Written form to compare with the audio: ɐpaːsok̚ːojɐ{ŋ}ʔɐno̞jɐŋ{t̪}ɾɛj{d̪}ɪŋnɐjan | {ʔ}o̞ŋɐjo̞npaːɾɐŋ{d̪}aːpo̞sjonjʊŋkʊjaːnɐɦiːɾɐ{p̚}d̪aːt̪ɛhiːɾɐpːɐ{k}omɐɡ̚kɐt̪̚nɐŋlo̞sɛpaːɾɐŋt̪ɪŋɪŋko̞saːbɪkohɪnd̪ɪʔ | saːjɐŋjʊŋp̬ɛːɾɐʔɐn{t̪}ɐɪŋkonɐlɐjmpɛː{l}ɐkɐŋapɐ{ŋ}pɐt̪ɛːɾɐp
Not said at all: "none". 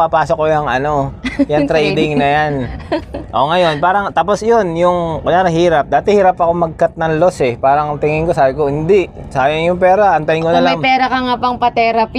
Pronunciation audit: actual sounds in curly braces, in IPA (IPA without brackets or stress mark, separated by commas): ŋ, t̪, d̪, ʔ, t̪, p̚, k, t̪, ɾ, ŋ